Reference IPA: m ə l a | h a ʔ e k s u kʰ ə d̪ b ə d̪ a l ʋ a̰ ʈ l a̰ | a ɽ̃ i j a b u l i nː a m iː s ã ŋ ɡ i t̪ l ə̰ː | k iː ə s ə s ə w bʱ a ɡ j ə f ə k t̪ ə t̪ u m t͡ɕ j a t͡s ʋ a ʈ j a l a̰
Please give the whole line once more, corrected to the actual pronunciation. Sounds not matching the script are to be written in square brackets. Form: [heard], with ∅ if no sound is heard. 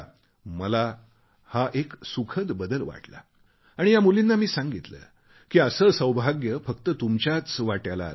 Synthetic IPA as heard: m ə l a | h a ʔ e k s u kʰ ə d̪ b ə d̪ [ə] l ʋ a̰ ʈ l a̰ | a ɽ̃ i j a [m] u l i nː a m iː s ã ŋ ɡ i t̪ l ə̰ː | k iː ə s ə s ə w bʱ a ɡ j ə f ə k t̪ ə t̪ u m t͡ɕ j a t͡s ʋ a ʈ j a l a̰